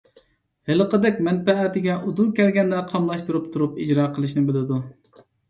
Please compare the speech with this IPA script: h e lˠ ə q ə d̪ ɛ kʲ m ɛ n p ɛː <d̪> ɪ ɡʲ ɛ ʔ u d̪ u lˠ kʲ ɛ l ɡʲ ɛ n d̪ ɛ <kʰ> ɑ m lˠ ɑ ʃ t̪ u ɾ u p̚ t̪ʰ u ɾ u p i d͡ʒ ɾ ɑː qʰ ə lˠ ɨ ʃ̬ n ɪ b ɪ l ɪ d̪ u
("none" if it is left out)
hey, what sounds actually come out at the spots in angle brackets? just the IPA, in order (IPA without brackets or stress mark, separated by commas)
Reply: t̪, qʰ